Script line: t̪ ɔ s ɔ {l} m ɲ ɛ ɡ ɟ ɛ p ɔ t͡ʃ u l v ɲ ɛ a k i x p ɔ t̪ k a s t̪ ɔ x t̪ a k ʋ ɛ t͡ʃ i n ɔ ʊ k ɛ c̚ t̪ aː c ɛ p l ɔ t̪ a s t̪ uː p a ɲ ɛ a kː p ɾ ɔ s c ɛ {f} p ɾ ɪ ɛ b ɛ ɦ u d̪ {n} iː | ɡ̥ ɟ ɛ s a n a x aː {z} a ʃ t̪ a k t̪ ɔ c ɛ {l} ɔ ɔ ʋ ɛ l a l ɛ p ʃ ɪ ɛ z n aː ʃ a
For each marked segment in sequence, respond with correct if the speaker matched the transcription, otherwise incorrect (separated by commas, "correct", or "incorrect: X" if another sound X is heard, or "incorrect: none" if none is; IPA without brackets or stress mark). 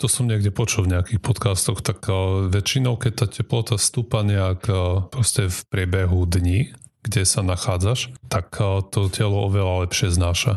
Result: incorrect: none, correct, incorrect: ɲ, incorrect: d͡z, correct